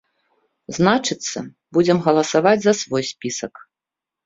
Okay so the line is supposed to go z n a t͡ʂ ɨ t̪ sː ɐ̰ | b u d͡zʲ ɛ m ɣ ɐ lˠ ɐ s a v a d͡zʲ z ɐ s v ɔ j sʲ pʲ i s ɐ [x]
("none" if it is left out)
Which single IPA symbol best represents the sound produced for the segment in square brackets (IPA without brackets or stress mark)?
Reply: k